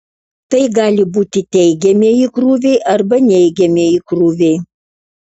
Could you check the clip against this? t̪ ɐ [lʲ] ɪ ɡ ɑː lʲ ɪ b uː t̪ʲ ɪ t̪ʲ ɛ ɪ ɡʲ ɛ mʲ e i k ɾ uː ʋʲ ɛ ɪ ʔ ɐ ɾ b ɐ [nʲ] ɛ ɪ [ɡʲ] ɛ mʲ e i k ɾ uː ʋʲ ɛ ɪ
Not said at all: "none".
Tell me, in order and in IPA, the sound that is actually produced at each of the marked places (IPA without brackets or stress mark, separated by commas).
none, nʲ, ɡʲ